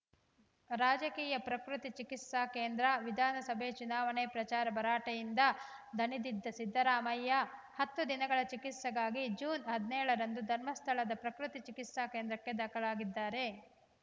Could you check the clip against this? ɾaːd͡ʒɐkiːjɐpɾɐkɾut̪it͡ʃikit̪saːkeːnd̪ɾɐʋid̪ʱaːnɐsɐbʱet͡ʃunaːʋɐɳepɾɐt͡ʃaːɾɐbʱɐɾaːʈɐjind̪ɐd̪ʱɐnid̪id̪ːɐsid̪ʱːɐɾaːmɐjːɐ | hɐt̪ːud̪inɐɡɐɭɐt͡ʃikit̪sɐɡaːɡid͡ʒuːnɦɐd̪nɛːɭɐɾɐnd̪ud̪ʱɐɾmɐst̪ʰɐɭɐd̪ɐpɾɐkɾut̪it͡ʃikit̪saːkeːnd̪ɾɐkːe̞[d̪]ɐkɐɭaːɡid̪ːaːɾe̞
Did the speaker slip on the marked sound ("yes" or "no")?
no